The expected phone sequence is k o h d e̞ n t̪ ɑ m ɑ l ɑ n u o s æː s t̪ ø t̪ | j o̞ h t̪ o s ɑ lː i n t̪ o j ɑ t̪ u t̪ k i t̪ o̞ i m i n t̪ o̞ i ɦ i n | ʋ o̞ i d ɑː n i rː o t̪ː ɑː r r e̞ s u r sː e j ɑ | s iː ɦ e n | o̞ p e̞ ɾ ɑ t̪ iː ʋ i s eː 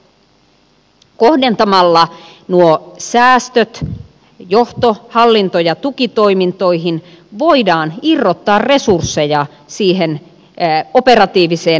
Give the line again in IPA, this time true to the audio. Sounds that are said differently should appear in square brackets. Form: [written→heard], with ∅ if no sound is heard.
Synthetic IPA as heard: k o h d e̞ n t̪ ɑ m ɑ [l→lː] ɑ n u o s æː s t̪ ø t̪ | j o̞ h t̪ o [s→h] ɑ lː i n t̪ o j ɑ t̪ u [t̪→∅] k i t̪ o̞ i m i n t̪ o̞ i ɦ i n | ʋ o̞ i d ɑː n i rː o t̪ː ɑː r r e̞ s u r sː e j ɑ | s iː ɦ e n | o̞ p e̞ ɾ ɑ t̪ iː ʋ i s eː